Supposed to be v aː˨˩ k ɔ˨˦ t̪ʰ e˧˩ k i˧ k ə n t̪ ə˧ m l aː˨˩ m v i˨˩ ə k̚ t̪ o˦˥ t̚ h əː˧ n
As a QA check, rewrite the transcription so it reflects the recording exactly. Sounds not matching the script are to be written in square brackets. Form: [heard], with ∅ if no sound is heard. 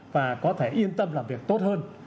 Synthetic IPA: v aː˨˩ k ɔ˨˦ t̪ʰ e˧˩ [ʔ] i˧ [∅] ə n t̪ ə˧ m l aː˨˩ m v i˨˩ ə k̚ t̪ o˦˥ t̚ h əː˧ n